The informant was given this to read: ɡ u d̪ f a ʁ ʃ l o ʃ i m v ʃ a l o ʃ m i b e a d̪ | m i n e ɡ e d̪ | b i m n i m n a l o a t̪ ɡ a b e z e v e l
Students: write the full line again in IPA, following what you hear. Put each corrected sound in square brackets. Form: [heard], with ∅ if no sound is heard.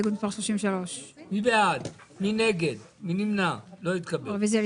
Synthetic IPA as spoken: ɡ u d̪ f a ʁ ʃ l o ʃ i m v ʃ a l o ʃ m i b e a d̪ | m i n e ɡ e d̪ | [m] i [∅] n i m n a l o [i] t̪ [k] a b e [v] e [z] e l